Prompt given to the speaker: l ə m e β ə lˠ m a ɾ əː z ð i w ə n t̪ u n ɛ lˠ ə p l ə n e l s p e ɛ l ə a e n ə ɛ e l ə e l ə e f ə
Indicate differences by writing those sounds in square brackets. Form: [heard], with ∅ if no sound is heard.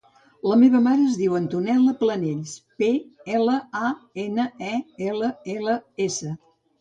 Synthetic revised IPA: l ə m e β ə [∅] m a ɾ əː z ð i w ə n t̪ u n ɛ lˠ ə p l ə n e [ʎ] s p e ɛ l ə a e n ə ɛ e l ə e l ə e [s] ə